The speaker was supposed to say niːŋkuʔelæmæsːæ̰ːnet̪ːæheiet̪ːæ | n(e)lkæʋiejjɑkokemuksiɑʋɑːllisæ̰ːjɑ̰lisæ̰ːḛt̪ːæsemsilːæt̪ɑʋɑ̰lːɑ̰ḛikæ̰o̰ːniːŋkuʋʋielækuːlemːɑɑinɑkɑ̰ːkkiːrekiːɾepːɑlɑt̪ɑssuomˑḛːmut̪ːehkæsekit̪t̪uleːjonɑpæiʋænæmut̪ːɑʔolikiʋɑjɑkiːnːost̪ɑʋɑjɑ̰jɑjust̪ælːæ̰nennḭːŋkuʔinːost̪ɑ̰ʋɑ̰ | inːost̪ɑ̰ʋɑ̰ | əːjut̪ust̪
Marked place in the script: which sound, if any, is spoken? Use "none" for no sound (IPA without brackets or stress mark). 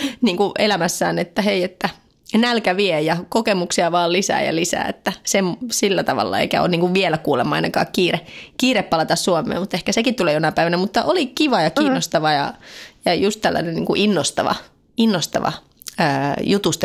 æ